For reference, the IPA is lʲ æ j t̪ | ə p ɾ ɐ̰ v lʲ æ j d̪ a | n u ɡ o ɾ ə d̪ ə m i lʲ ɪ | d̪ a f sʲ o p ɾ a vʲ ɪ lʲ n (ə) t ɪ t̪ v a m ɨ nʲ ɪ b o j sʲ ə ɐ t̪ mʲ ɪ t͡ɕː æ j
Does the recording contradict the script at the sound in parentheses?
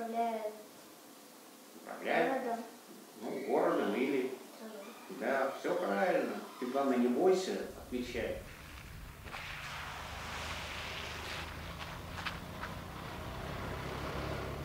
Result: no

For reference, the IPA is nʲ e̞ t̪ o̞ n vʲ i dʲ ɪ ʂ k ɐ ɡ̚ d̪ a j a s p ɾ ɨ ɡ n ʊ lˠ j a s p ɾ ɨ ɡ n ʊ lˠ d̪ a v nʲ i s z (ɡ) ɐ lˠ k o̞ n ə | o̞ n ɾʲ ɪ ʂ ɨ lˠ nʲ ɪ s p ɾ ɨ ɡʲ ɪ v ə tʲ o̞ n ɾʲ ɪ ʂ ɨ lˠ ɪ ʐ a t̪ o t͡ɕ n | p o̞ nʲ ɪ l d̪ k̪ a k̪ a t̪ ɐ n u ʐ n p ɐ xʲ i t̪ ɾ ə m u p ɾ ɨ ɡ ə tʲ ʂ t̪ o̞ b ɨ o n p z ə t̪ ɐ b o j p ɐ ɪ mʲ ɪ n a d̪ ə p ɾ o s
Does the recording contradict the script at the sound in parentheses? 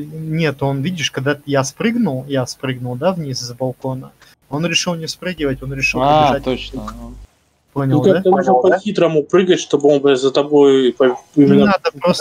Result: yes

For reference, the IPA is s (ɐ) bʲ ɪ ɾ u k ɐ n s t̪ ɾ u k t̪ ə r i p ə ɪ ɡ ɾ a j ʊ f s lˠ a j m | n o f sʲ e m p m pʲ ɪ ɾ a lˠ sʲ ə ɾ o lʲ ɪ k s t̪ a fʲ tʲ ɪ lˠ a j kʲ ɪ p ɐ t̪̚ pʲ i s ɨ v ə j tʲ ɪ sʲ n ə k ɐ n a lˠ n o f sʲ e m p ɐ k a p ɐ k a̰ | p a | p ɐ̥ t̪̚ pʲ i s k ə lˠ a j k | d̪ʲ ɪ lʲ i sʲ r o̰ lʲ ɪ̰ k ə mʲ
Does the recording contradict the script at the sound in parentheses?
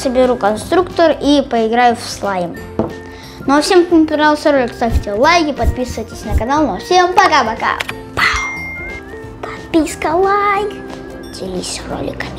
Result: yes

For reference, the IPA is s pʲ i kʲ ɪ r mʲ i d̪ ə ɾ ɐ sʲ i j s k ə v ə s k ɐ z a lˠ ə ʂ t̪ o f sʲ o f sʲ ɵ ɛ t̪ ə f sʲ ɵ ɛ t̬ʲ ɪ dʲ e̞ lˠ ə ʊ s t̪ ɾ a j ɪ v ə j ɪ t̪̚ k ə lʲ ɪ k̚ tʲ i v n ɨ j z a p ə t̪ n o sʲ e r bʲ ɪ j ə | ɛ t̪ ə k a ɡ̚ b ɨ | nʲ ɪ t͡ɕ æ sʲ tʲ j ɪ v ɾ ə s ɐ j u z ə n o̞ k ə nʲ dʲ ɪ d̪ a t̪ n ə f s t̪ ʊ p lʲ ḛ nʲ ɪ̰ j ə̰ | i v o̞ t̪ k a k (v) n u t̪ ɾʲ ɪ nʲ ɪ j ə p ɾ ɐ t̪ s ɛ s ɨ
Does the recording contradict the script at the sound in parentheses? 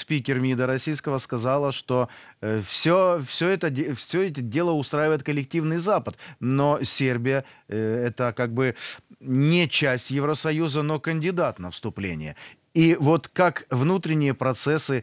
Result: no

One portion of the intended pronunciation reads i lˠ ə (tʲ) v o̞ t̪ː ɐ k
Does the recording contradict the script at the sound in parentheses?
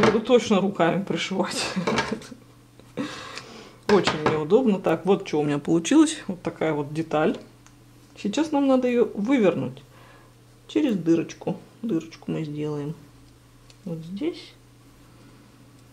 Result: yes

